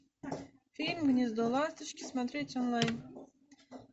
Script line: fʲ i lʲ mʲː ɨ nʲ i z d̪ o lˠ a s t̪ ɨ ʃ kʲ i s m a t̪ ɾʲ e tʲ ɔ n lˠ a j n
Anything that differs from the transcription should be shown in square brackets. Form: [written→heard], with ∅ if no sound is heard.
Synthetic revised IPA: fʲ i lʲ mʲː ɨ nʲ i z d̪ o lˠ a s t̪ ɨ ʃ kʲ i s m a t̪ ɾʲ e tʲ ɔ n lˠ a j n